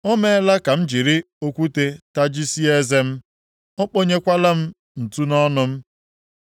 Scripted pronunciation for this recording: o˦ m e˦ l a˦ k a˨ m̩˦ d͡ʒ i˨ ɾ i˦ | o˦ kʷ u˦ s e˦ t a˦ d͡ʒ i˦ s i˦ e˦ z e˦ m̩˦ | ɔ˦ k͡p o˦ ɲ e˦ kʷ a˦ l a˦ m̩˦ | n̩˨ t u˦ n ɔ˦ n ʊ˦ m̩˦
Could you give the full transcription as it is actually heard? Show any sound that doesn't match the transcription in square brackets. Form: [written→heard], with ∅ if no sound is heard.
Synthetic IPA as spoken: o˦ m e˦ l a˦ k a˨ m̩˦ d͡ʒ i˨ ɾ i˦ | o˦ kʷ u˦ [s→t] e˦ t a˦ d͡ʒ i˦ s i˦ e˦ z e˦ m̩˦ | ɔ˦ k͡p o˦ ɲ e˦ kʷ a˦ l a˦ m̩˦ | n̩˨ t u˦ n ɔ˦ n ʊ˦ m̩˦